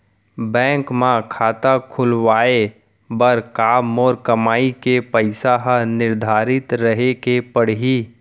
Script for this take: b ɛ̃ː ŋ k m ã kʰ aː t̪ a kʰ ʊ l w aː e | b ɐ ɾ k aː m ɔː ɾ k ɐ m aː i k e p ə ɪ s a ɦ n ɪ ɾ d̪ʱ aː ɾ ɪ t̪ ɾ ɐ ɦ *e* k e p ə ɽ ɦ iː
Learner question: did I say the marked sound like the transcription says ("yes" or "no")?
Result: yes